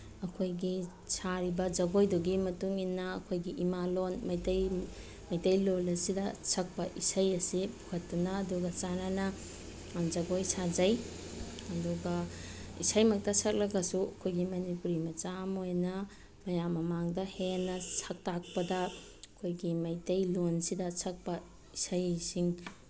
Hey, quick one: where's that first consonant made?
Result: velum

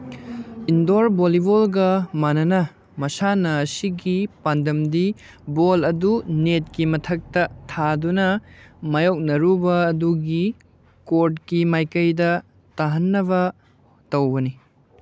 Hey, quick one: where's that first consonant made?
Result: tongue tip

